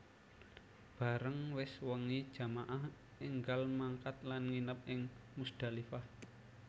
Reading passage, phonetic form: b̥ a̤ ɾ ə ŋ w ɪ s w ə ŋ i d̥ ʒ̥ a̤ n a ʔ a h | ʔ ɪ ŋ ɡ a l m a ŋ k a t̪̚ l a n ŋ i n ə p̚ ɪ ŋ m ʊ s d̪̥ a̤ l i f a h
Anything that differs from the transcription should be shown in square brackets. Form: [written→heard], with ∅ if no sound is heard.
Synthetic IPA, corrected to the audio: b̥ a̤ ɾ ə ŋ w ɪ s w ə ŋ i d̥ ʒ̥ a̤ [n→m] a ʔ a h | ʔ ɪ ŋ ɡ a l m a ŋ k a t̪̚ l a n ŋ i n ə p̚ ɪ ŋ m [ʊ→u] s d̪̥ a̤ l i f a h

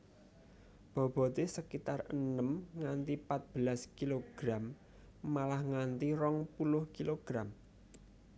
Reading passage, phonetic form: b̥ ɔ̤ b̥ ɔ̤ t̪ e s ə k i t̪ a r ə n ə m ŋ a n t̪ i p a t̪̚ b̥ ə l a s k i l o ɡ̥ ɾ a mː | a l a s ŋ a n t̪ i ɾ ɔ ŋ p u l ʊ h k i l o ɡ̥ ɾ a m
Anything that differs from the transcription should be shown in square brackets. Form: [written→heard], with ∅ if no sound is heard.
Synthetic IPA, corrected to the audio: b̥ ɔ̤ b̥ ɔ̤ t̪ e s ə k i t̪ a r ə n ə m ŋ a n t̪ i p a t̪̚ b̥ ə l a s k i l o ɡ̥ ɾ a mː | a l a [s→h] ŋ a n t̪ i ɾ ɔ ŋ p u l ʊ h k i l o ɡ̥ ɾ a m

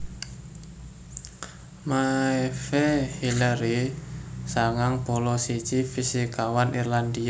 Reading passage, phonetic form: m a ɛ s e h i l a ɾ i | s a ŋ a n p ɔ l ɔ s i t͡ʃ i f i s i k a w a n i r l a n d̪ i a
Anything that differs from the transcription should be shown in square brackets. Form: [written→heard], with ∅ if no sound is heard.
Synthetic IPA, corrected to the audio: m a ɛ [s→f] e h i l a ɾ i | s a ŋ a [n→ŋ] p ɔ l ɔ s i t͡ʃ i f i s i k a w a n i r l a n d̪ i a

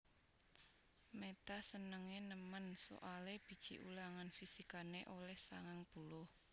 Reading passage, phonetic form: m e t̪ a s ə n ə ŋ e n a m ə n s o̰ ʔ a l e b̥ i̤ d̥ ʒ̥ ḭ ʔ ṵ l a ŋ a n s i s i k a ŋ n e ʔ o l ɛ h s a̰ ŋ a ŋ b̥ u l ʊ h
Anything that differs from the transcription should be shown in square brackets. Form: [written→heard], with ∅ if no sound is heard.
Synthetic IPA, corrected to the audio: m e t̪ a s ə n ə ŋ e n [a→ə] m ə n s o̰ ʔ a l e b̥ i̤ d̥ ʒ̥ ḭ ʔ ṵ l a ŋ a n [s→f] i s i k a [ŋ→∅] n e ʔ o l ɛ h s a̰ ŋ a ŋ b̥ u l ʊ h

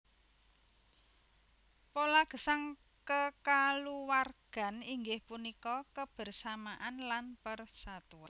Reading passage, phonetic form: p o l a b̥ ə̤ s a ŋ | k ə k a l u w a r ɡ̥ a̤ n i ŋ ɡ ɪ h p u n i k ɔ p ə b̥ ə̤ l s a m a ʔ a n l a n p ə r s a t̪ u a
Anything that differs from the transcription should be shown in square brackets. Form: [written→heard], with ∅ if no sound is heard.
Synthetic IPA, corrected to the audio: p o l a [b̥→ɡ̥] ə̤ s a ŋ | k ə k a l u w a r ɡ̥ a̤ n i ŋ ɡ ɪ h p u n i k ɔ [p→k] ə b̥ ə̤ [l→r] s a m a ʔ a n l a n p ə r s a t̪ u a

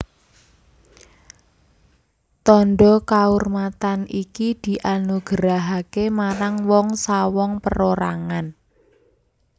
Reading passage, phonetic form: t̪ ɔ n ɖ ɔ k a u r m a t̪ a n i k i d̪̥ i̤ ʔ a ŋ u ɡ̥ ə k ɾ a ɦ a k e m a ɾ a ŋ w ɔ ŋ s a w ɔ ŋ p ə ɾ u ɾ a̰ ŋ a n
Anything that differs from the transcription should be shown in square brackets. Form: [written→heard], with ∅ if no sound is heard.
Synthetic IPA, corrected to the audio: t̪ ɔ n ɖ ɔ k a u r m a t̪ a n i k i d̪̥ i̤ ʔ a [ŋ→n] u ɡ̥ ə [k→∅] ɾ a ɦ a k e m a ɾ a ŋ w ɔ ŋ s a w ɔ ŋ p ə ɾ [u→o] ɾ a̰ ŋ a n

